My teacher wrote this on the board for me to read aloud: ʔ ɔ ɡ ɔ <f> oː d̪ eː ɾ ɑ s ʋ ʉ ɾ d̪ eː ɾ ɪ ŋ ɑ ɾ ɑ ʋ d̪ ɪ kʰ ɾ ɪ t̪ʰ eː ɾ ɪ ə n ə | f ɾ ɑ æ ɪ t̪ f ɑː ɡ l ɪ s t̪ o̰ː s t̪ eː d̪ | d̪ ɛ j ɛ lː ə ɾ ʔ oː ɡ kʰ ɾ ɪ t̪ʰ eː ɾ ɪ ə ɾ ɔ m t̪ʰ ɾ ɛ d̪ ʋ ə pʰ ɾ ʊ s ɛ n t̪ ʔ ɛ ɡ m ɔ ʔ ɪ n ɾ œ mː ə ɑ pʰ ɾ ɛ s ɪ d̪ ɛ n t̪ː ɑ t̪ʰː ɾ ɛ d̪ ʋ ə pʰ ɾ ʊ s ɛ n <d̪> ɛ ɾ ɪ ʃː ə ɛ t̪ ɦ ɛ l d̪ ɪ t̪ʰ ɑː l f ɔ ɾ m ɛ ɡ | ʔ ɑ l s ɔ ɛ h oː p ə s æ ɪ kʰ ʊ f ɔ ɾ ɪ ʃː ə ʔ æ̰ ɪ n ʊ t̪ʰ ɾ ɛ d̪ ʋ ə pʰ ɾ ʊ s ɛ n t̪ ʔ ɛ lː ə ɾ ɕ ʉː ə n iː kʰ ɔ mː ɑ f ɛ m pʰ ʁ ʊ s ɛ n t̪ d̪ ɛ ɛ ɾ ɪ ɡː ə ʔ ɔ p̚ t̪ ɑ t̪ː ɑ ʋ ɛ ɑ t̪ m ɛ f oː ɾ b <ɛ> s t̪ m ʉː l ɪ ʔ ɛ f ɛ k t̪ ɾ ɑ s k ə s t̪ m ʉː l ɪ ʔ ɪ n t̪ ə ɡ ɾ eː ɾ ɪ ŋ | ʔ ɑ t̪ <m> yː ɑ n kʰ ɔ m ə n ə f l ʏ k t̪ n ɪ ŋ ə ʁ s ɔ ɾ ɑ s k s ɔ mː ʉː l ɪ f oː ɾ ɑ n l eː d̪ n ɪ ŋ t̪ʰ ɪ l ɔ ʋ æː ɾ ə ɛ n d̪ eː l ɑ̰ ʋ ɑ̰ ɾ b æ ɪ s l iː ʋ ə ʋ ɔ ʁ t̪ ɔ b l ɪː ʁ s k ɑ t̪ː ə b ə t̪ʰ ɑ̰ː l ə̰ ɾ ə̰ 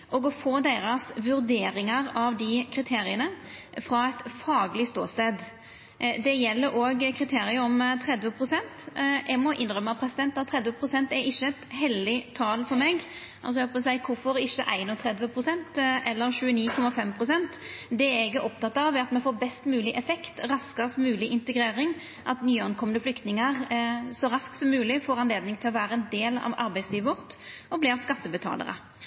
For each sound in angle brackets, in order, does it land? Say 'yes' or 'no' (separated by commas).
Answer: yes, no, yes, no